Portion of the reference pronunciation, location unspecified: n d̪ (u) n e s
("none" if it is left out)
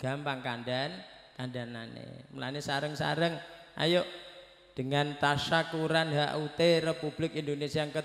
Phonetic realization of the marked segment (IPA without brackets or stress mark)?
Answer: o